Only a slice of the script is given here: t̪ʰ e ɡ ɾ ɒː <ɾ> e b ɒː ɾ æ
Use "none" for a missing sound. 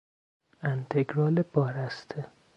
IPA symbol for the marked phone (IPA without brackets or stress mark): l